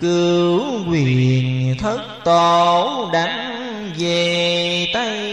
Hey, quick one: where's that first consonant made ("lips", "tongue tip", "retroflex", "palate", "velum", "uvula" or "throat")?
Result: velum